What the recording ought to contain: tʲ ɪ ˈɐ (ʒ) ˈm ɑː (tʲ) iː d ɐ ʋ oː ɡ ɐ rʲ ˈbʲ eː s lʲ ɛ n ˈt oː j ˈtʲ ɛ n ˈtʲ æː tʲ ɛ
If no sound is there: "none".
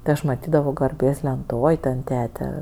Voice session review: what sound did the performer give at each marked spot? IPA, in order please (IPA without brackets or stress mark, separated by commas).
ʃ, tʲ